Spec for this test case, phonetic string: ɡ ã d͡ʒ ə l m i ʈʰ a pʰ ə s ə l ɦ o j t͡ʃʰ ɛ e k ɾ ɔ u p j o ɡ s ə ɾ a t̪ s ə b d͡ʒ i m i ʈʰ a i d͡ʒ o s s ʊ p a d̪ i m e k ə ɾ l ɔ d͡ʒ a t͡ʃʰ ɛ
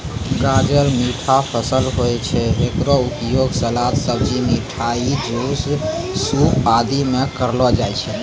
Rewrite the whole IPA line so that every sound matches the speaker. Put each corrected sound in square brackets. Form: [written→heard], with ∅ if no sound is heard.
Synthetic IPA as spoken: ɡ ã d͡ʒ ə [l→ɾ] m i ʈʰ a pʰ ə s ə l ɦ o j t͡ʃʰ ɛ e k ɾ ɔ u p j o ɡ s ə [ɾ→l] a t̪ s ə b d͡ʒ i m i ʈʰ a i d͡ʒ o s s [ʊ→u] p a d̪ i m e k ə ɾ l ɔ d͡ʒ a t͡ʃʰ ɛ